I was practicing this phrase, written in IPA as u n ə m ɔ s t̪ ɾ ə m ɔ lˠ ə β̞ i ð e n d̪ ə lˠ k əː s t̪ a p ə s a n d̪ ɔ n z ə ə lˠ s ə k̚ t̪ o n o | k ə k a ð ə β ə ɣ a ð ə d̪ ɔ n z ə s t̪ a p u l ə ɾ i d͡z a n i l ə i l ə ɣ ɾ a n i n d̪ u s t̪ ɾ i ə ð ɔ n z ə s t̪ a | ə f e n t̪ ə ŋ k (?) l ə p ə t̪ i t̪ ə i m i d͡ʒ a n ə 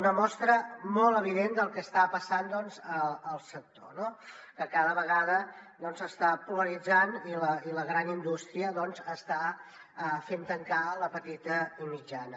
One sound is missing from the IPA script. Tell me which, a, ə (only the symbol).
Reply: a